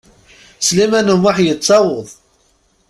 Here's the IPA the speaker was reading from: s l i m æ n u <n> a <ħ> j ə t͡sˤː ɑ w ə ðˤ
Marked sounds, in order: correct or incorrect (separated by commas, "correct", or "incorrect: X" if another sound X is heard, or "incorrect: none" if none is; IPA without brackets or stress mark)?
incorrect: m, correct